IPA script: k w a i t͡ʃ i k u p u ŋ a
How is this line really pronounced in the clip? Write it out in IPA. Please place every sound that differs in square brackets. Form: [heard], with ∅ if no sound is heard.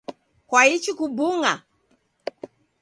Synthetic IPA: k w a i t͡ʃ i k u [b] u ŋ a